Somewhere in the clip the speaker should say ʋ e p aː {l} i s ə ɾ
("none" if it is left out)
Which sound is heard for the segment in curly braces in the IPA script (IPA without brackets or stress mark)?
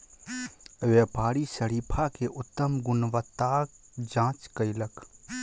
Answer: ɾ